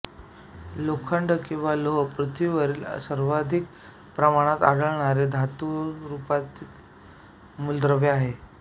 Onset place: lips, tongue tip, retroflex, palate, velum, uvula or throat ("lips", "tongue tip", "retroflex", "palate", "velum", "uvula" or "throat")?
tongue tip